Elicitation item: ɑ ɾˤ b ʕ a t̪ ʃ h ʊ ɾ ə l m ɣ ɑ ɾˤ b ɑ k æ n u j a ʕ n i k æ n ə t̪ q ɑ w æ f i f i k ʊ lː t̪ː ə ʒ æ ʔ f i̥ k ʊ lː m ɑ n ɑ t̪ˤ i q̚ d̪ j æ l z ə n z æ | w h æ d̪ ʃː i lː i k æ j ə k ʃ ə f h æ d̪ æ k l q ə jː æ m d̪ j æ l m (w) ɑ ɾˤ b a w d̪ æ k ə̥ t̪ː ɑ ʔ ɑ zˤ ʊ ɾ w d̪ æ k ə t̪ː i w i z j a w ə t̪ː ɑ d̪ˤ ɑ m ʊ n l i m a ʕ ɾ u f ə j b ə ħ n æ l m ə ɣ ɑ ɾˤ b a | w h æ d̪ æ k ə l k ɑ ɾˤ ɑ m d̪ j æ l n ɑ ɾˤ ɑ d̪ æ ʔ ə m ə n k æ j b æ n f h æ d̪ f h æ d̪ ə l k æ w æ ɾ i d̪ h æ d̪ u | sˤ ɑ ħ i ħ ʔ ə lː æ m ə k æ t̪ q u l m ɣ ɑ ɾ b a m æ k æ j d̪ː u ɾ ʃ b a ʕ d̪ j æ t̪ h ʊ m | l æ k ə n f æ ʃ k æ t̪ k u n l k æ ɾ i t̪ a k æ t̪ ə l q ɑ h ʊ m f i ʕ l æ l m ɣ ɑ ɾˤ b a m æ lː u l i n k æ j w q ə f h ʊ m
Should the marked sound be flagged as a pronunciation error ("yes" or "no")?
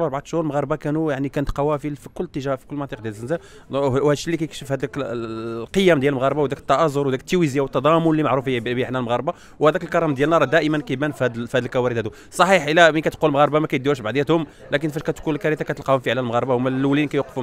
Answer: yes